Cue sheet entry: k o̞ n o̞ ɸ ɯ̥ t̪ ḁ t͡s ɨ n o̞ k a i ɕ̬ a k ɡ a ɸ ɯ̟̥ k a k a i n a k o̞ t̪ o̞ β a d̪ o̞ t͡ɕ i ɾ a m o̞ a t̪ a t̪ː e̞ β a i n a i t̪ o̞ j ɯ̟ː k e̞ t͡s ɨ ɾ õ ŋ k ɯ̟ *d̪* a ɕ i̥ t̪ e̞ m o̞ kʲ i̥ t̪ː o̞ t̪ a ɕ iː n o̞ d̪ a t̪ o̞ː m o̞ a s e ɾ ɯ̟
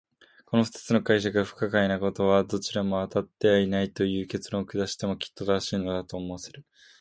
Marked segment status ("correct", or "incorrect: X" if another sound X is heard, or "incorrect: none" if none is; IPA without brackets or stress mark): correct